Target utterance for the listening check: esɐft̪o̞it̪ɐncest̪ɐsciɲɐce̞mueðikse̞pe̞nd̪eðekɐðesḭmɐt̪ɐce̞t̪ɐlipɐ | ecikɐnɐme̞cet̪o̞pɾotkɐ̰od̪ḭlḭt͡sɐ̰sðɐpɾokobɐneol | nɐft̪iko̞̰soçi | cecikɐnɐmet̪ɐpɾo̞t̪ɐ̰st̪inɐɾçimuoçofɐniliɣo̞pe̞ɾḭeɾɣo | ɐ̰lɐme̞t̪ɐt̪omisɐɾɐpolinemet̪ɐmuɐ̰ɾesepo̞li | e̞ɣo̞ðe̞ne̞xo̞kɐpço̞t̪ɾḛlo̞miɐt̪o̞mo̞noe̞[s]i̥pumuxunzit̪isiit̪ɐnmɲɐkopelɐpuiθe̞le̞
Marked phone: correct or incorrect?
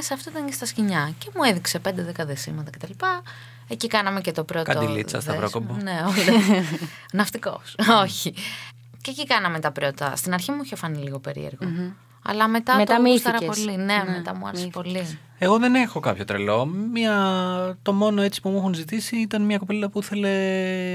incorrect